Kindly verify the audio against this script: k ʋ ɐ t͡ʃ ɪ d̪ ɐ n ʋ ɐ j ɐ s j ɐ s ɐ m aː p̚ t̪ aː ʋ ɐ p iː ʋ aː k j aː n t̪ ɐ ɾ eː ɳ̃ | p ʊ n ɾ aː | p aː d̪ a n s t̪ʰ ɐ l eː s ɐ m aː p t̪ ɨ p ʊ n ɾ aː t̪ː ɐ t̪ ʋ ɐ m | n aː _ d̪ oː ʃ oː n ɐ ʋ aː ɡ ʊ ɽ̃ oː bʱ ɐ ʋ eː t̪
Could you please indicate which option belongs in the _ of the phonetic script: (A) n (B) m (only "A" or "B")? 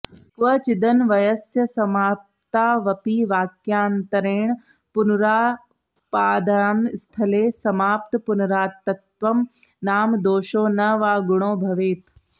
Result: B